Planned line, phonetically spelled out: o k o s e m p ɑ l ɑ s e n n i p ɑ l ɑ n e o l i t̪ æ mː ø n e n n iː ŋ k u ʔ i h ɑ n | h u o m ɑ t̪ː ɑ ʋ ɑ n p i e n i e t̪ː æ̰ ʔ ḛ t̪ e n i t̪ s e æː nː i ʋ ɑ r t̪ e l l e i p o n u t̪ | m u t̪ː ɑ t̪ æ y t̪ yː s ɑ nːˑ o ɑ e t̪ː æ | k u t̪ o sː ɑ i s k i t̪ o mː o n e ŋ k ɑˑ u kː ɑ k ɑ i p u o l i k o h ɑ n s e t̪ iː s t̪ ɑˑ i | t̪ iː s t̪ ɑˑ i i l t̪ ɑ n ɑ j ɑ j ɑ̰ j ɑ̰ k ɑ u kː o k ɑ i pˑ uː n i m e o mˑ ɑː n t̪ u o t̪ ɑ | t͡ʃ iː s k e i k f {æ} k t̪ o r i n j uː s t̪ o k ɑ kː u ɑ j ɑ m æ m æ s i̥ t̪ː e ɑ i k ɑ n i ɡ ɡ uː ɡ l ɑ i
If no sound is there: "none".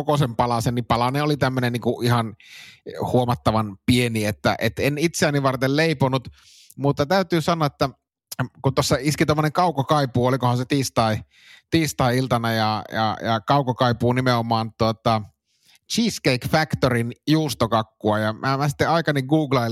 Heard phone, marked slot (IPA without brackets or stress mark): æ